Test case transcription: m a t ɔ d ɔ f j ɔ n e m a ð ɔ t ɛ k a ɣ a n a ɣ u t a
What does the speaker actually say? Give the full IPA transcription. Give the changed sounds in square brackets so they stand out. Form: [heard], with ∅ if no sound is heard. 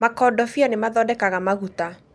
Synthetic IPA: m a [k] ɔ d ɔ f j ɔ n e m a ð ɔ [d] ɛ k a ɣ a [m] a ɣ u t a